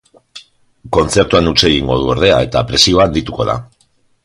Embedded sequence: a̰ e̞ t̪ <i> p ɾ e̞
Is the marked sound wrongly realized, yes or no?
yes